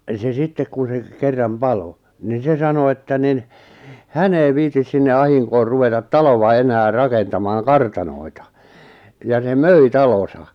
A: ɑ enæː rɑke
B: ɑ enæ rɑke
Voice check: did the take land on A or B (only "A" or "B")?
A